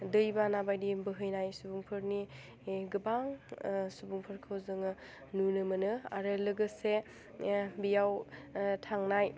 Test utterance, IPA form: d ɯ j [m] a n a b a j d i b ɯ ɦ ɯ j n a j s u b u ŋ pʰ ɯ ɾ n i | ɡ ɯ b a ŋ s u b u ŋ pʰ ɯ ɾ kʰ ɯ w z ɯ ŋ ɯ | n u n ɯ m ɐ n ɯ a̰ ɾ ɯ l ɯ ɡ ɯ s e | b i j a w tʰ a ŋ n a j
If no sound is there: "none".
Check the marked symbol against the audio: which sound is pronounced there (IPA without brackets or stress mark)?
b